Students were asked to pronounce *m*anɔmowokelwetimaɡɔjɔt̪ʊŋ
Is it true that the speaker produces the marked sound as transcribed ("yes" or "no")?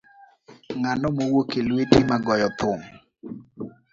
no